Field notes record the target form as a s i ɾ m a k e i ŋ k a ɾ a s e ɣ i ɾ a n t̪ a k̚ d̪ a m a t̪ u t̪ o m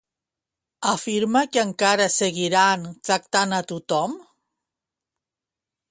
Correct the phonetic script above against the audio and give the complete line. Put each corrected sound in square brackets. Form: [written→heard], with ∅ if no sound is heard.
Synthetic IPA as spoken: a [s→f] i ɾ m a k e [i→a] ŋ k a ɾ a s e ɣ i ɾ a n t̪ a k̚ [d̪→t̪] a [m→n] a t̪ u t̪ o m